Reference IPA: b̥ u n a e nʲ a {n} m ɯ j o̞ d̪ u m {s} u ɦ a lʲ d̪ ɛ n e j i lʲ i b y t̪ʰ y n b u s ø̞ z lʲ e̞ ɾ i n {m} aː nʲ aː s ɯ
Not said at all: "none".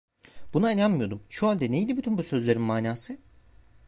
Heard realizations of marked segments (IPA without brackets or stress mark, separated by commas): n, ʃ, m